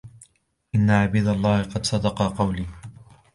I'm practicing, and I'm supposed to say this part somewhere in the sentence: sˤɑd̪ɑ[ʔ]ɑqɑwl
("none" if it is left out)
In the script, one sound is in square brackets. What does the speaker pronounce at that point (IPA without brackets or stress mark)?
q